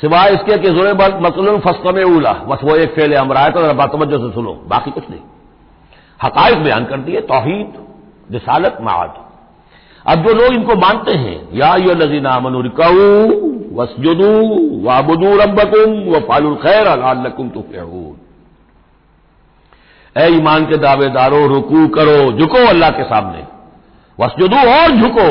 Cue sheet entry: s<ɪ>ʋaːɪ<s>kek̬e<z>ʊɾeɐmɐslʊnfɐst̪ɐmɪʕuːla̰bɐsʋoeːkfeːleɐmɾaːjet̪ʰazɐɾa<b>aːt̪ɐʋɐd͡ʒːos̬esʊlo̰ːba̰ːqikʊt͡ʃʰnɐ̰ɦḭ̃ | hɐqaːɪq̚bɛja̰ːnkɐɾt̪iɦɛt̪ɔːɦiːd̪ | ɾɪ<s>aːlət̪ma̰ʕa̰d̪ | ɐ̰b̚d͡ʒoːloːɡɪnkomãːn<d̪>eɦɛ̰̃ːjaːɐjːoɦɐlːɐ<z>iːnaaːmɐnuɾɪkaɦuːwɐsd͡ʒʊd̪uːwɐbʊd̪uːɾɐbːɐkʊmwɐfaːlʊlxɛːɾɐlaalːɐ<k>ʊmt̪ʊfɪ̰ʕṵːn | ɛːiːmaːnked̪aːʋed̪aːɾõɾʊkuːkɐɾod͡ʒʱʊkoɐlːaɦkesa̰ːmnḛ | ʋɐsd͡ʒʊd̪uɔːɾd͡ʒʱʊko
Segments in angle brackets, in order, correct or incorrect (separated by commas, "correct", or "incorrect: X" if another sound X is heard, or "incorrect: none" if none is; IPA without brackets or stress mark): correct, correct, correct, correct, correct, incorrect: t̪, correct, correct